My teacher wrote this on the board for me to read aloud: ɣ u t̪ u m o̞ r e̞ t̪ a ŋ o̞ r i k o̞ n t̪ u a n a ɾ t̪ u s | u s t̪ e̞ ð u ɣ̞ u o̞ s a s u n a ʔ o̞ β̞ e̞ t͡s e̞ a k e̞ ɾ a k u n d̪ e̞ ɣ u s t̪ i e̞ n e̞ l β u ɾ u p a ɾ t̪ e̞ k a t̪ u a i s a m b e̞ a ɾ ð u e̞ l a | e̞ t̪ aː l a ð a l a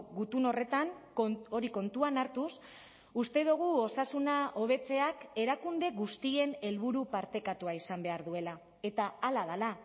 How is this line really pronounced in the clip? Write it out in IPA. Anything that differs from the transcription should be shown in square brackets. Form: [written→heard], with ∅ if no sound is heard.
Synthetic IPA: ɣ u t̪ u [m→n] o̞ r e̞ t̪ a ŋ o̞ [r→ɾ] i k o̞ n t̪ u a n a ɾ t̪ u s | u s t̪ e̞ ð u ɣ̞ u o̞ s a s u n a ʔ o̞ β̞ e̞ t͡s e̞ a k e̞ ɾ a k u n d̪ e̞ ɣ u s t̪ i e̞ n e̞ l β u ɾ u p a ɾ t̪ e̞ k a t̪ u a i s a m b e̞ a ɾ ð u e̞ l a | e̞ t̪ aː l a ð a l a